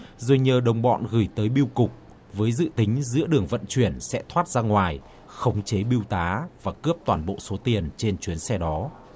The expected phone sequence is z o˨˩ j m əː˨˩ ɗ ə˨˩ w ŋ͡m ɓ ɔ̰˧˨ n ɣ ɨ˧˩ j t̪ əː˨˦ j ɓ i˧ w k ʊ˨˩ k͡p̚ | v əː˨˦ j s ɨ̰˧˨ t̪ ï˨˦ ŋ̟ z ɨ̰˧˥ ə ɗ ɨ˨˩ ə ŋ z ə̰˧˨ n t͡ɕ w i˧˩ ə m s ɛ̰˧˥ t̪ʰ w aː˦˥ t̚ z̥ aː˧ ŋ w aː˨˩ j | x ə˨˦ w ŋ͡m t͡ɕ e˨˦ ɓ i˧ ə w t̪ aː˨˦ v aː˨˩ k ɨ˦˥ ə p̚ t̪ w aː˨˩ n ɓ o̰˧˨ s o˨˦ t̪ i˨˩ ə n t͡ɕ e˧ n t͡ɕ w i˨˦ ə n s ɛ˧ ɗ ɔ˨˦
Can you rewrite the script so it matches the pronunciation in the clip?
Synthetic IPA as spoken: z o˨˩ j ɲ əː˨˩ ɗ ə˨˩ w ŋ͡m ɓ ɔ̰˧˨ n ɣ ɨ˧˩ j t̪ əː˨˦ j ɓ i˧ w k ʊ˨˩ k͡p̚ | v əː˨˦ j z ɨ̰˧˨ t̪ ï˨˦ ŋ̟ z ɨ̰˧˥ ə ɗ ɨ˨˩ ə ŋ v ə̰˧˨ n t͡ɕ w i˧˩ ə n s ɛ̰˧˥ t̪ʰ w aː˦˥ t̚ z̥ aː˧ ŋ w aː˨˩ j | x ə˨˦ w ŋ͡m t͡ɕ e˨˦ ɓ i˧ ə w t̪ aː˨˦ v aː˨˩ k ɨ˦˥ ə p̚ t̪ w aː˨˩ n ɓ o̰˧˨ s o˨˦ t̪ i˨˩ ə n t͡ɕ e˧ n t͡ɕ w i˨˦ ə n s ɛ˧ ɗ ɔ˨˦